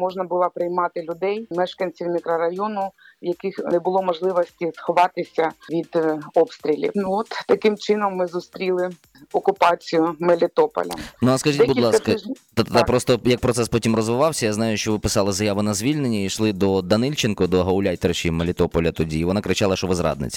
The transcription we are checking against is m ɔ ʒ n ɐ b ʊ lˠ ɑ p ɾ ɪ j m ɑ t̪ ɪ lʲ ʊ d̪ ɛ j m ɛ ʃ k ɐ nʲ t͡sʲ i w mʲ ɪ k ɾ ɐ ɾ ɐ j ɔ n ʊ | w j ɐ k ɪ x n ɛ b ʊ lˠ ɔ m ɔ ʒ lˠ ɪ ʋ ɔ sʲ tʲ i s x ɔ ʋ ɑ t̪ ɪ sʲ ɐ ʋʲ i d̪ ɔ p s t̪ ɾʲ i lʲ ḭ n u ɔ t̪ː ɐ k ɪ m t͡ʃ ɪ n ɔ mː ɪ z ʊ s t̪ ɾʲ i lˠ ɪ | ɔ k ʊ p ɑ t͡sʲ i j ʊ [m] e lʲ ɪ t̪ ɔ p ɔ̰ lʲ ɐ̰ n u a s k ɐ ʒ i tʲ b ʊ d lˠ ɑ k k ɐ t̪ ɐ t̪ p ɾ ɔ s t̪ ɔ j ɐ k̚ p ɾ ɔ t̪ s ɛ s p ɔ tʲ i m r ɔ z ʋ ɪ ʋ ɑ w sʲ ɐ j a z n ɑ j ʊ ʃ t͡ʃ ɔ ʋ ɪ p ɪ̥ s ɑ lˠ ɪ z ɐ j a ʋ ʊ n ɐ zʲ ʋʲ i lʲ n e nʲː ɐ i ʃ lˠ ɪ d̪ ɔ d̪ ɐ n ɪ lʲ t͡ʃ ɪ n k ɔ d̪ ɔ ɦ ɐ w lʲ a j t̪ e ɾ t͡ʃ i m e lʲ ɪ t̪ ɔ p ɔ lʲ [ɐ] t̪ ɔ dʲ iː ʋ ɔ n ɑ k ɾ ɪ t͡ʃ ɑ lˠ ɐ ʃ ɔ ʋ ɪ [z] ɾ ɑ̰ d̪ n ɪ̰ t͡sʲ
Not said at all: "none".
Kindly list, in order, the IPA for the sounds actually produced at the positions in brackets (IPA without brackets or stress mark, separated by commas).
m, ɐ, z